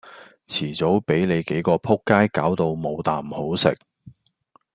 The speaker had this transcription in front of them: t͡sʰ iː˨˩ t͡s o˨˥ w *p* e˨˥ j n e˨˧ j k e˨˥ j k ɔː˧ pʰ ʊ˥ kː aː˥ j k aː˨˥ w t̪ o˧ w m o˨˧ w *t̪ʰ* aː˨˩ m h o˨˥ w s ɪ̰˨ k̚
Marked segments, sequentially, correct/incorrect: correct, incorrect: t̪

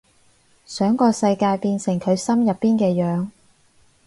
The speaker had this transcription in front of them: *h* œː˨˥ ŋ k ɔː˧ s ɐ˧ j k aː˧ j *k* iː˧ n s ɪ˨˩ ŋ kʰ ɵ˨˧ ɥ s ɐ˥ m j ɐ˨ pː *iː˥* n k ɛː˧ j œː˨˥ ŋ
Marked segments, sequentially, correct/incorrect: incorrect: s, incorrect: p, correct

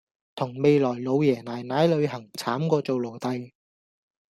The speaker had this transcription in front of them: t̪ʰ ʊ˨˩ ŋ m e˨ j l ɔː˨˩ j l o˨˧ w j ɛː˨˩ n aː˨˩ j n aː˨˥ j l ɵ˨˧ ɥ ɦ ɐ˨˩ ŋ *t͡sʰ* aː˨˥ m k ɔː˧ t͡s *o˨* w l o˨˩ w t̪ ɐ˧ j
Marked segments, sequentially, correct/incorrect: correct, correct

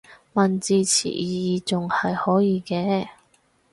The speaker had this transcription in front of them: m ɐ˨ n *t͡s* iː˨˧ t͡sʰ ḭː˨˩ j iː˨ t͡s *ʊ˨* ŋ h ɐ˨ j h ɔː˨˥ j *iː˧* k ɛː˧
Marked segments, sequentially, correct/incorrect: correct, correct, correct

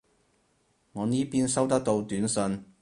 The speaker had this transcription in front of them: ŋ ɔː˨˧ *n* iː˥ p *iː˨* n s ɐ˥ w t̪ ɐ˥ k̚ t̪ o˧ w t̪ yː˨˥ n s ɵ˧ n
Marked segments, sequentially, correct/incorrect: correct, incorrect: iː˥

